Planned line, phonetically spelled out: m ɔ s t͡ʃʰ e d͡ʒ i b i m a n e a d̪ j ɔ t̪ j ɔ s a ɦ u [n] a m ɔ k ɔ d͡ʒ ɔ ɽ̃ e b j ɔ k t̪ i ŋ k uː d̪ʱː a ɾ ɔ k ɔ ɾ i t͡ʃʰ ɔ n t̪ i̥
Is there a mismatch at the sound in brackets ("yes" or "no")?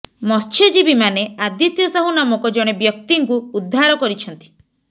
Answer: no